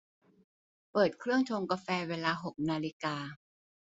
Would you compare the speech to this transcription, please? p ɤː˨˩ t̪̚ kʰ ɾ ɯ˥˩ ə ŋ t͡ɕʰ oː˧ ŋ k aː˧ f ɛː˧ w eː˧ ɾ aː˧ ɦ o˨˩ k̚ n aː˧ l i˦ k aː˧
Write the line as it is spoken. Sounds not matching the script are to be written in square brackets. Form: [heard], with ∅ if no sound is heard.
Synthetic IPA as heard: p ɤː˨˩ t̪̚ kʰ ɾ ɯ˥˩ ə ŋ t͡ɕʰ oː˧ ŋ k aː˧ f ɛː˧ w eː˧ [l] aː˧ ɦ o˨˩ k̚ n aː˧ l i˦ k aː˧